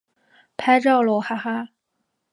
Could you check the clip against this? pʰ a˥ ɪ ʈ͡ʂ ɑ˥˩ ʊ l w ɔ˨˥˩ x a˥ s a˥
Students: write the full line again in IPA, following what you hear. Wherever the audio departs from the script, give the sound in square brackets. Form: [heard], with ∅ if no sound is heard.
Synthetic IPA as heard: pʰ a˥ ɪ ʈ͡ʂ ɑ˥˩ ʊ l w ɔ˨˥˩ x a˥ [x] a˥

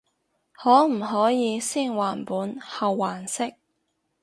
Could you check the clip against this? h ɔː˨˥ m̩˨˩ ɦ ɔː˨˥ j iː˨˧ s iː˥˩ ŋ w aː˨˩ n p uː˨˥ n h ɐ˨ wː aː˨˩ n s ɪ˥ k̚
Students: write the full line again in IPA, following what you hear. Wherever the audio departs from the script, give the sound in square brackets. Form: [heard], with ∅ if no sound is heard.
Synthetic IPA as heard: h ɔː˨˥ m̩˨˩ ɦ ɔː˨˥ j iː˨˧ s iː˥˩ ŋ w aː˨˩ n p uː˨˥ n h ɐ˨ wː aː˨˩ n s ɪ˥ k̚

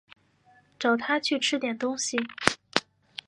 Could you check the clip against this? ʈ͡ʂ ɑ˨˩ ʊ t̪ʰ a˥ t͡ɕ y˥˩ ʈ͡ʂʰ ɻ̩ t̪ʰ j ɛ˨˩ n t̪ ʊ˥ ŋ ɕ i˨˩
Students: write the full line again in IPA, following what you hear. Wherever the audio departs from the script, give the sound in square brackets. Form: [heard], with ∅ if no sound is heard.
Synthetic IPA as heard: ʈ͡ʂ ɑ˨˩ ʊ t̪ʰ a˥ [t͡ɕʰ] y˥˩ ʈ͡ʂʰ ɻ̩ [t̪] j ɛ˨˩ n t̪ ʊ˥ ŋ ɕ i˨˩

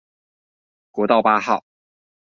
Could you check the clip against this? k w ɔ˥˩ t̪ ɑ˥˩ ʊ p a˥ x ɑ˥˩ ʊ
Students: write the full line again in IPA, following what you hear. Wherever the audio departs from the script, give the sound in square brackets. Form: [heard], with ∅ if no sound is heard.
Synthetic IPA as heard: k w [ɔ˧˥] t̪ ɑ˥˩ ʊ p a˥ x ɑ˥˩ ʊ

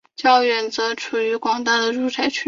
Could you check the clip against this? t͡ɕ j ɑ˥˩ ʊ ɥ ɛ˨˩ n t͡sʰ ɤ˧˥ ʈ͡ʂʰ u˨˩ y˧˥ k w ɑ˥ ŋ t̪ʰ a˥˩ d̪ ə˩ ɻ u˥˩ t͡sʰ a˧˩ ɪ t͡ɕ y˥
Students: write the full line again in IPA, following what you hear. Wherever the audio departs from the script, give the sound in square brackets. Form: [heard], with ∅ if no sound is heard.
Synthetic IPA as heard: t͡ɕ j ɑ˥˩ ʊ ɥ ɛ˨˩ n [t͡s] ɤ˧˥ ʈ͡ʂʰ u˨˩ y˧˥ k w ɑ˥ ŋ [t̪] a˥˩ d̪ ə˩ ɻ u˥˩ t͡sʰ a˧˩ ɪ [t͡ɕʰ] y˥

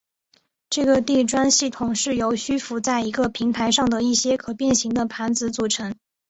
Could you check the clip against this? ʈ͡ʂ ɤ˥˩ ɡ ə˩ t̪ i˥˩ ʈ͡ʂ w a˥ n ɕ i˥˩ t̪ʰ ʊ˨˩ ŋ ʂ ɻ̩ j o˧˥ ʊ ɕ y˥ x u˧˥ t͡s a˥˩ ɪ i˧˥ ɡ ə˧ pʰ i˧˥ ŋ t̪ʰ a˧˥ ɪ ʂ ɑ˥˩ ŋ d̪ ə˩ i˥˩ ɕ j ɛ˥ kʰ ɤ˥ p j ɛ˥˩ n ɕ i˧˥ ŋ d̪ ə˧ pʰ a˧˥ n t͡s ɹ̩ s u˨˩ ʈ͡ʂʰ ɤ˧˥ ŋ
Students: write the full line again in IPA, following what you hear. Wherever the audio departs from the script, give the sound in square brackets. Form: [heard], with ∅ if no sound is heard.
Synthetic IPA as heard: ʈ͡ʂ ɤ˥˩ ɡ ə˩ t̪ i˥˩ ʈ͡ʂ w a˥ n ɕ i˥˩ t̪ʰ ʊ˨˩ ŋ ʂ ɻ̩ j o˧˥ ʊ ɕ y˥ [f] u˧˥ t͡s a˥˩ ɪ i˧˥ ɡ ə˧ pʰ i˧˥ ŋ t̪ʰ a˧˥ ɪ ʂ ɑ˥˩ ŋ d̪ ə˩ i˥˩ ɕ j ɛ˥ kʰ [ɤ˨˩] p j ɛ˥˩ n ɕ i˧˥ ŋ d̪ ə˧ pʰ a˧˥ n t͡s ɹ̩ [t͡s] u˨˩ ʈ͡ʂʰ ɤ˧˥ ŋ

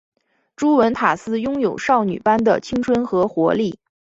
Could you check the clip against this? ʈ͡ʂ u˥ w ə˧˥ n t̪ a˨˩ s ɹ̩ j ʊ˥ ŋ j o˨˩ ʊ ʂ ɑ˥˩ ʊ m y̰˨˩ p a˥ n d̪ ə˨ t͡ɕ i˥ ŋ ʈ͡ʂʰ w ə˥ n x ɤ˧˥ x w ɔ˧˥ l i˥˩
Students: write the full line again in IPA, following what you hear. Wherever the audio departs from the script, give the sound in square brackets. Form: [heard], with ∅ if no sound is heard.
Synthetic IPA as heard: ʈ͡ʂ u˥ w ə˧˥ n [t̪ʰ] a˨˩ s ɹ̩ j ʊ˥ ŋ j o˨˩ ʊ ʂ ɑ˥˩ ʊ [n] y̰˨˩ p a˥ n d̪ ə˨ [t͡ɕʰ] i˥ ŋ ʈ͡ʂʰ w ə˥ n x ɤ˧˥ x w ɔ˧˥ l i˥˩

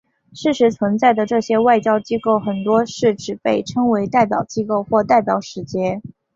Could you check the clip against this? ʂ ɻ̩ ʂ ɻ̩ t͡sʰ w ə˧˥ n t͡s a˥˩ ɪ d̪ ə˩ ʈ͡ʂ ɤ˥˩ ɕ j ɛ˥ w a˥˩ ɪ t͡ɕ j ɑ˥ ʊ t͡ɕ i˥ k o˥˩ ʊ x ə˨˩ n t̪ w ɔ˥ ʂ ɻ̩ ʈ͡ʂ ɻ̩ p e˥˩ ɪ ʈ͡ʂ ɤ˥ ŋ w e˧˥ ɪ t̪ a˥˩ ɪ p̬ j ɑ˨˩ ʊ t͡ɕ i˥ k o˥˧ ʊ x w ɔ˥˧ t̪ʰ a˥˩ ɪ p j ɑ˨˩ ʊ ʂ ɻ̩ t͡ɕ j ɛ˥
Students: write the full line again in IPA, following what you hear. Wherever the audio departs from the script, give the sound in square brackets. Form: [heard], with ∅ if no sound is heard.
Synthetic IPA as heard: ʂ ɻ̩ ʂ ɻ̩ t͡sʰ w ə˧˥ n t͡s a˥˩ ɪ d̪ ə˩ ʈ͡ʂ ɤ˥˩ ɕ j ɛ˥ w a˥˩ ɪ t͡ɕ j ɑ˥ ʊ t͡ɕ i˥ k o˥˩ ʊ x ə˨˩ n t̪ w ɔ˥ ʂ ɻ̩ ʈ͡ʂ ɻ̩ p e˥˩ ɪ [ʈ͡ʂʰ] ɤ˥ ŋ w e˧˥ ɪ t̪ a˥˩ ɪ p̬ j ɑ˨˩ ʊ t͡ɕ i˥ k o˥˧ ʊ x w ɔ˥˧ [t̪] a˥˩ ɪ p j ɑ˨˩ ʊ ʂ ɻ̩ t͡ɕ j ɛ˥

